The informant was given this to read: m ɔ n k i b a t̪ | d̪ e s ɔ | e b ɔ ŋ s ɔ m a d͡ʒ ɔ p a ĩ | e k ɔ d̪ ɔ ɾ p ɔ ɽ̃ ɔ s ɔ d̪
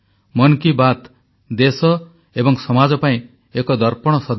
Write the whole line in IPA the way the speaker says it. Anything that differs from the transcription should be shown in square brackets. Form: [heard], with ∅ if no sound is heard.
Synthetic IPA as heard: m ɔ n k i b a t̪ | d̪ e s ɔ | e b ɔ ŋ s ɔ m a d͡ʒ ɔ p a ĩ | e k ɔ d̪ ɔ ɾ p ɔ ɽ̃ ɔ s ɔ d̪